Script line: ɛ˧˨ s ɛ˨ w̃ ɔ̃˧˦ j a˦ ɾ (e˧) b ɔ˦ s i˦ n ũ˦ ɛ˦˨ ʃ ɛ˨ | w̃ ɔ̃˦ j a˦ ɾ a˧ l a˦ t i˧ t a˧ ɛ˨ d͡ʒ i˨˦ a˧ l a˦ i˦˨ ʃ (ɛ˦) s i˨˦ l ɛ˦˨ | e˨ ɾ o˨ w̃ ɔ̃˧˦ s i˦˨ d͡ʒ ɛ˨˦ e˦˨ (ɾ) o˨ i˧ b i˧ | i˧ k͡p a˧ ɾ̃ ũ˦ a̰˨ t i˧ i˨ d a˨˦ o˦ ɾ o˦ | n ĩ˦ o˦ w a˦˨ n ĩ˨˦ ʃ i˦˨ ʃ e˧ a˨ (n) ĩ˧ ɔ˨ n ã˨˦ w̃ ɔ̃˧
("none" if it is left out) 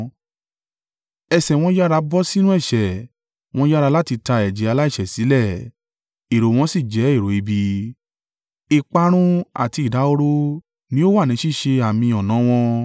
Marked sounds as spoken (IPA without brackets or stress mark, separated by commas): a˧, ɛ˨, ɾ, m